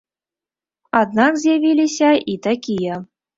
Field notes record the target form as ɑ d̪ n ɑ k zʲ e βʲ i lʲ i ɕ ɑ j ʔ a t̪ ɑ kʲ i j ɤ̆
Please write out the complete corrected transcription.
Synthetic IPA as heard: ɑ d̪ n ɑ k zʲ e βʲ i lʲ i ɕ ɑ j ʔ i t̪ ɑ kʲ i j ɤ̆